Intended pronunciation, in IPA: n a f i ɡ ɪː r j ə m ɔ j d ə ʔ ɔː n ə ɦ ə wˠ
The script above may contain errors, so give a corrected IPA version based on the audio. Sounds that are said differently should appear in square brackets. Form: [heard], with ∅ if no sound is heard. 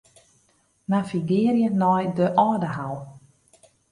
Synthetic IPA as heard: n a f i ɡ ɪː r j ə [n] ɔ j d ə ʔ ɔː [d] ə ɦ [a] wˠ